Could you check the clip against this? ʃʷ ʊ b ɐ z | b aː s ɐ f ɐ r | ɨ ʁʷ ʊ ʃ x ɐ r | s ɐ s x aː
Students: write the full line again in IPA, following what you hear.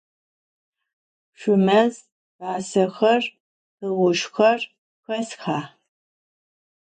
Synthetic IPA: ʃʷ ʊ m ɐ z | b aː s ɐ x ɐ r | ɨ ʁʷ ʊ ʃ x ɐ r | x ɐ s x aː